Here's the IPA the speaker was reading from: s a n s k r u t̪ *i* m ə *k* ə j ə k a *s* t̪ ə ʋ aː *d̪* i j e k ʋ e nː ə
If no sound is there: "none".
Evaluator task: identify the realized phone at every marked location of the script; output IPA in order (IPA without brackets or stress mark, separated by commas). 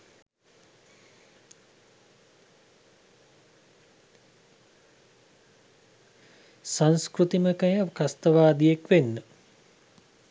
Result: i, k, s, d̪